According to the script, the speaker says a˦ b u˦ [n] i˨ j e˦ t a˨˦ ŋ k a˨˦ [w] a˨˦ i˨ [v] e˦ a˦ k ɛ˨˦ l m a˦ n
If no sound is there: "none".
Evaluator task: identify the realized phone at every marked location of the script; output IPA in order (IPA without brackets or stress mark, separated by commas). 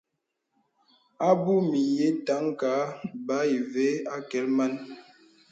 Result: m, b, v